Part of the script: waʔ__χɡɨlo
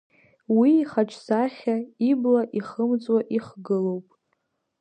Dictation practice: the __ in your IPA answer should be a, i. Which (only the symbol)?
i